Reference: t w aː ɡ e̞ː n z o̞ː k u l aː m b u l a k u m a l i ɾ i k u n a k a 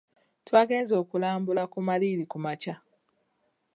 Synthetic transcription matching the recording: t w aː ɡ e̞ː n z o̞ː k u l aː m b u l a k u m a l i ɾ i k u m a c a

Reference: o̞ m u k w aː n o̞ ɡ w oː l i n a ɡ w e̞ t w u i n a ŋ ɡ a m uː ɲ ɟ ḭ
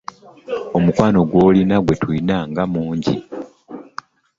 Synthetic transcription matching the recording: o̞ m u k w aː n o̞ ɡ w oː l i n a ɡ w e̞ t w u i n a ŋ ɡ a m uː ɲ ɟ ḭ

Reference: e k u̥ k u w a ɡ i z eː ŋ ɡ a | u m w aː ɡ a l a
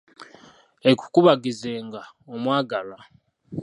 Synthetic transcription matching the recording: e k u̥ k u β a ɡ i z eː ŋ ɡ a | o m w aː ɡ a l a

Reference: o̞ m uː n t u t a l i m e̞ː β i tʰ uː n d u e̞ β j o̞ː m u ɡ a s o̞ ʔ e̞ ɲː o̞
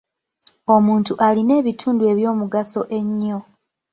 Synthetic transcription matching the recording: o̞ m uː n t u ʔ a l i n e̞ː β i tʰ uː n d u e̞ β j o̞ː m u ɡ a s o̞ ʔ e̞ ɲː o̞

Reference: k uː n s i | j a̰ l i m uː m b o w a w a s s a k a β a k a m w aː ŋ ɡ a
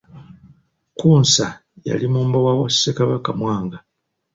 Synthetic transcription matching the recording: k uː n s a | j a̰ l i m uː m b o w a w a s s e k a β a k a m w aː ŋ ɡ a

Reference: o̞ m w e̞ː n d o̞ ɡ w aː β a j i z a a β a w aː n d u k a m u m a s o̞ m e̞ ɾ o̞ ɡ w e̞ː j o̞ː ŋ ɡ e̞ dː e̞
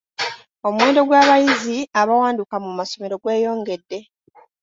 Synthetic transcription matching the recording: o̞ m w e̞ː n d o̞ ɡ w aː β a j i z i a β a w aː n d u k a m u m a s o̞ m e̞ ɾ o̞ ɡ w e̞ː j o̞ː ŋ ɡ e̞ dː e̞

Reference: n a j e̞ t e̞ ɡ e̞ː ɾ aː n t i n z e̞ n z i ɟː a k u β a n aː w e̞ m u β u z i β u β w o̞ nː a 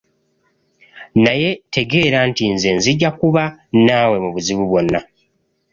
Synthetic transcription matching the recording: n a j e̞ t e̞ ɡ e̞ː ɾ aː n t i n z e̞ n z i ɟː a k u β a n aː w e̞ m u β u z i β u β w o̞ nː a

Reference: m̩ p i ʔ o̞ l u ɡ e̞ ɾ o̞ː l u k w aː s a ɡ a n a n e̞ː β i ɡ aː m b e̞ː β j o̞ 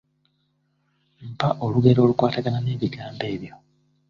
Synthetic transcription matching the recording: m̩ p a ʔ o̞ l u ɡ e̞ ɾ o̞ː l u k w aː t a ɡ a n a n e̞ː β i ɡ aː m b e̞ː β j o̞

